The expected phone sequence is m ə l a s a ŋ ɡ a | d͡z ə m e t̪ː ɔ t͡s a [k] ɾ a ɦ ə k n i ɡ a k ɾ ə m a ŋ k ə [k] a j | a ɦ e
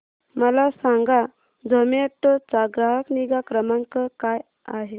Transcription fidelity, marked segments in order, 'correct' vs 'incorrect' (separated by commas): incorrect, correct